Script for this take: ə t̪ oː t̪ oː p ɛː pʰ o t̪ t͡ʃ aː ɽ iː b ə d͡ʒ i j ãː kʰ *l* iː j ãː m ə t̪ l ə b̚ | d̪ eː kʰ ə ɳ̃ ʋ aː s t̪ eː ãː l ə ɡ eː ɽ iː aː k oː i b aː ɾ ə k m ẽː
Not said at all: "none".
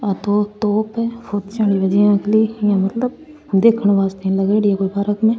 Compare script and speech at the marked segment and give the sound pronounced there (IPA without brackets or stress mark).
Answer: l